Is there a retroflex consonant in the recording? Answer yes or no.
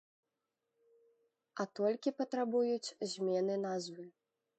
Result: no